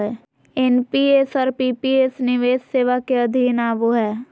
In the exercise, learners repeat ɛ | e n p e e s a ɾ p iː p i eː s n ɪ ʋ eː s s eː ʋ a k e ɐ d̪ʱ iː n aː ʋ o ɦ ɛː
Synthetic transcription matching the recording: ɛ | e n p i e s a ɾ p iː p i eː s n ɪ ʋ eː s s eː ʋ a k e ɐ d̪ʱ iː n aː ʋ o ɦ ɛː